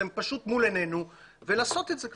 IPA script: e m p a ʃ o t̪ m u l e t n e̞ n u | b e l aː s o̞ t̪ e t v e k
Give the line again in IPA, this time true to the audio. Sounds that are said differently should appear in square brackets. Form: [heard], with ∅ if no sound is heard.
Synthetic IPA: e m p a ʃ [u] t̪ m u l e [∅] n e̞ n u | [v] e l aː s o̞ t̪ e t [z] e k

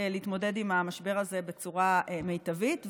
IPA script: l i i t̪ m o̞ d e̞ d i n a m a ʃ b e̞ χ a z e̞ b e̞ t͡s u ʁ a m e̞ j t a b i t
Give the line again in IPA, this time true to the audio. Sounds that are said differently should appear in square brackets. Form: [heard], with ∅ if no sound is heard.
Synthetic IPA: l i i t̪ m o̞ d e̞ d i [m] a m a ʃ b e̞ [ʁ] a z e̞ b e̞ t͡s u ʁ a m e̞ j t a [v] i t

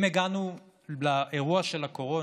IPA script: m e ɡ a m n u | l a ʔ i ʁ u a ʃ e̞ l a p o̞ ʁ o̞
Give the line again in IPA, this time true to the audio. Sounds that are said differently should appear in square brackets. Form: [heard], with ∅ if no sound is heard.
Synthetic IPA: m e ɡ a [∅] n u | l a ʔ [e] ʁ u a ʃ e̞ l a [k] o̞ ʁ o̞

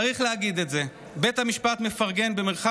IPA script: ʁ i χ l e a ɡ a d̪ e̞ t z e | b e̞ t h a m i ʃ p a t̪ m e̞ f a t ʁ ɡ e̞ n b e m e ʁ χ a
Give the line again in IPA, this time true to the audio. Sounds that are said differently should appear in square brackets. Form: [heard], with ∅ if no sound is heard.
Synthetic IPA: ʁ i χ l e a ɡ [i] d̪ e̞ t z e | b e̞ t h a m i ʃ p a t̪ m e̞ f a [∅] ʁ ɡ e̞ n b e m e ʁ χ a

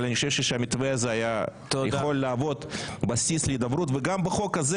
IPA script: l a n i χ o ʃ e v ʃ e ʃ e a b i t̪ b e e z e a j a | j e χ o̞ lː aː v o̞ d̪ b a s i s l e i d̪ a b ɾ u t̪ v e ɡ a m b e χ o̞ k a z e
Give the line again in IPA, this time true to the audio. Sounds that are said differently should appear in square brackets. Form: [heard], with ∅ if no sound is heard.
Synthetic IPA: l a n i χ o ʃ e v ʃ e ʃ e a [m] i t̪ [v] e [a] z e a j a | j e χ o̞ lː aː v o̞ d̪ b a s i s l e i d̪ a b ɾ u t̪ v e ɡ a m b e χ o̞ k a z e

